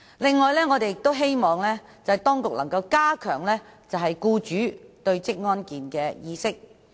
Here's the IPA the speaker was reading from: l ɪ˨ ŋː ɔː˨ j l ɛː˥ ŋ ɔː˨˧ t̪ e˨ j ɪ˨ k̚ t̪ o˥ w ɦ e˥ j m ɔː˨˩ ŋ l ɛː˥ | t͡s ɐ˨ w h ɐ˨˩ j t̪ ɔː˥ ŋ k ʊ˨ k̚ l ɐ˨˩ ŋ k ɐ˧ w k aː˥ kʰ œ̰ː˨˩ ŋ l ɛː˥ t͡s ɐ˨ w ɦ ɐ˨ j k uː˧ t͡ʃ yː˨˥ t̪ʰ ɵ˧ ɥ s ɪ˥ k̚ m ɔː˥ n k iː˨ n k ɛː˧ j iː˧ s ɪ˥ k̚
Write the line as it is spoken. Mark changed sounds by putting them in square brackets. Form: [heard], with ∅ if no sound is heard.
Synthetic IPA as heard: l ɪ˨ ŋː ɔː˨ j l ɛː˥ ŋ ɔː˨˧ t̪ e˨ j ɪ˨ k̚ t̪ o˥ w ɦ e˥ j m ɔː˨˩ ŋ l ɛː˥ | t͡s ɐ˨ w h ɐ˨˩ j t̪ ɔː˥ ŋ k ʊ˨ k̚ l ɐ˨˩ ŋ k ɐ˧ w k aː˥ kʰ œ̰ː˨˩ ŋ l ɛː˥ t͡s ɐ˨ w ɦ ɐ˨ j k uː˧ t͡ʃ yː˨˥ [t̪] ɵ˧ ɥ [t͡s] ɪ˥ k̚ [ŋ] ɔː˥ n k iː˨ n k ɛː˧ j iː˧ s ɪ˥ k̚